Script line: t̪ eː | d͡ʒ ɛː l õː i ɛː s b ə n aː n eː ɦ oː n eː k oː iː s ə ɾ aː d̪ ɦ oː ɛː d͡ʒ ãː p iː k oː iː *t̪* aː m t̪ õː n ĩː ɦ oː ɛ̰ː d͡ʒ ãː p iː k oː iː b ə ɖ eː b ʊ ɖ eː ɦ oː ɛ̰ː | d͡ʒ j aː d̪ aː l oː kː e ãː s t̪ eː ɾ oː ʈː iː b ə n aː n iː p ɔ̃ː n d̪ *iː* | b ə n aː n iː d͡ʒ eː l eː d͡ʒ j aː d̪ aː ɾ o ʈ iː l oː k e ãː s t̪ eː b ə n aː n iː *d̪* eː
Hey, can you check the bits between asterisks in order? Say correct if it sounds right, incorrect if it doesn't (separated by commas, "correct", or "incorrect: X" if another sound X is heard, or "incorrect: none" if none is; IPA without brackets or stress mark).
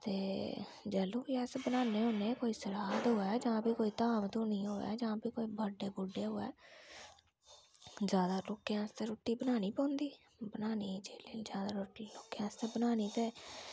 correct, correct, incorrect: t̪